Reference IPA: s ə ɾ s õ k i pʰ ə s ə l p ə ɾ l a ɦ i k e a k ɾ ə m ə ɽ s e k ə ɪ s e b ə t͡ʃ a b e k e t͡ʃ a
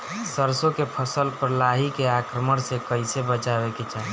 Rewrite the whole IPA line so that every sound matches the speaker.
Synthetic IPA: s ə ɾ s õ k e pʰ ə s ə l p ə ɾ l a ɦ i k e a k ɾ ə m ə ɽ s e k ə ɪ s e b ə t͡ʃ a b e k e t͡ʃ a